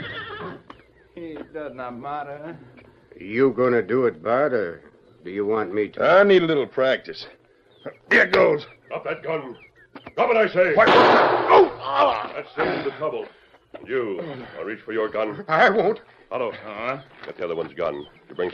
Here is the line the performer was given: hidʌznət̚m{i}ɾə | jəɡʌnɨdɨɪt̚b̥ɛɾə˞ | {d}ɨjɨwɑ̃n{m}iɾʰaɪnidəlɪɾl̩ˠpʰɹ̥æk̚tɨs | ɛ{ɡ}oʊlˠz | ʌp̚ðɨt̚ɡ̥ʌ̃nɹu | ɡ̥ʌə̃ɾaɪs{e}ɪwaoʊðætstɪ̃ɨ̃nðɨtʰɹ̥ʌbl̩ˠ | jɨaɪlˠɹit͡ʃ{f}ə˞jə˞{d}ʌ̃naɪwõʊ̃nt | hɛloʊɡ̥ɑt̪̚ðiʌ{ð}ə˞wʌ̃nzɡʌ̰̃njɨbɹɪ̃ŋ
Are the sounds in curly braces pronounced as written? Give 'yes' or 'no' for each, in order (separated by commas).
no, yes, yes, yes, yes, yes, no, yes